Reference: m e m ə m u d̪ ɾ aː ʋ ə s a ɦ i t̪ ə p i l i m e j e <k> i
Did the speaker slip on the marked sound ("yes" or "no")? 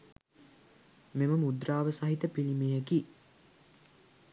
no